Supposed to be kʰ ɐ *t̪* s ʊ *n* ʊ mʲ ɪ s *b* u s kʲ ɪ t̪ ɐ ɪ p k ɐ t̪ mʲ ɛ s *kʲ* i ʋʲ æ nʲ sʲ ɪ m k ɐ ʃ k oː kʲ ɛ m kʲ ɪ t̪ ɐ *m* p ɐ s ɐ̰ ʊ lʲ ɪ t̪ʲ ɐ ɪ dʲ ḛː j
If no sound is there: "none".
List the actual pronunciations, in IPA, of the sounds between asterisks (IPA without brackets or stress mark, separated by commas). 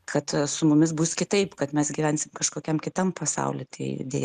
t̪, m, b, ɡʲ, m